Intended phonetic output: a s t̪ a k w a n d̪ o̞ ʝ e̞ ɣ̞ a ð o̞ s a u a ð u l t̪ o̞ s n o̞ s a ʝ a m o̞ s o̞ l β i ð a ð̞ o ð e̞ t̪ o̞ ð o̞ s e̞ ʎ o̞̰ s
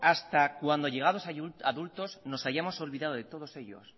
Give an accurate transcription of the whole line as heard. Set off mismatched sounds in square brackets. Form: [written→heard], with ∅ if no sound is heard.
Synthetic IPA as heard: a s t̪ a k w a n d̪ o̞ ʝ e̞ ɣ̞ a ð o̞ s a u a ð u l t̪ o̞ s n o̞ s a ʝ a m o̞ s o̞ l β i ð a ð̞ o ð e̞ t̪ o̞ ð o̞ s e̞ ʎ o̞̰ s